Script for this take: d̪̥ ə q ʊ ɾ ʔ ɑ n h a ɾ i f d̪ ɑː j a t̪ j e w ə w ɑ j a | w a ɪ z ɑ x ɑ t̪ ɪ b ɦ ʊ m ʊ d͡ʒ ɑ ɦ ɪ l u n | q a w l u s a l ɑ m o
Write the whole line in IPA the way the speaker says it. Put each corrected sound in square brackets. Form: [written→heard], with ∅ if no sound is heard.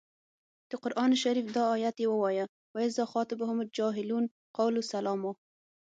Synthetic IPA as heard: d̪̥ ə q ʊ ɾ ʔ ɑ n [h→ʃ] a ɾ i f d̪ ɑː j a t̪ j e w ə w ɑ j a | w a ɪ z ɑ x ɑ t̪ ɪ b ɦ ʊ m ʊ d͡ʒ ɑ ɦ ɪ l u n | q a w l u s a l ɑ m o